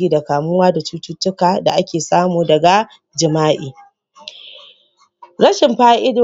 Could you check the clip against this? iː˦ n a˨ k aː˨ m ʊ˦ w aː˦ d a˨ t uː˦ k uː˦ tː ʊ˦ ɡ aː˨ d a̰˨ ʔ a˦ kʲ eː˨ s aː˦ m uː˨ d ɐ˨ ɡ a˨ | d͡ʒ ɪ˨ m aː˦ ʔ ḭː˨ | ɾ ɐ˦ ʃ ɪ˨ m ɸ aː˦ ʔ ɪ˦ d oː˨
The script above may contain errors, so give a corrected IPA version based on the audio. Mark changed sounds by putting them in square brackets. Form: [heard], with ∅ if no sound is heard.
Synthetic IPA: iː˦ [d] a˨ k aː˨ m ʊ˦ w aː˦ d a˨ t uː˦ [t] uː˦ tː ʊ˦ [k] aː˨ d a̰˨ ʔ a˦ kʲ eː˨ s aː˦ m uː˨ d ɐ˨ ɡ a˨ | d͡ʒ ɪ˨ m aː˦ ʔ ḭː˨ | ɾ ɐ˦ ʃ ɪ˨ m ɸ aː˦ ʔ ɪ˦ d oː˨